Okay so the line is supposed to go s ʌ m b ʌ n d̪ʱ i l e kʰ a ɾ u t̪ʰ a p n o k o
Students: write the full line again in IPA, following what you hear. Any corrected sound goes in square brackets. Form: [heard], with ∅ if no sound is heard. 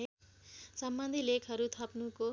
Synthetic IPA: s ʌ m b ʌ n d̪ʱ i l e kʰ [ʌ] ɾ u t̪ʰ [ʌ] p n [u] k o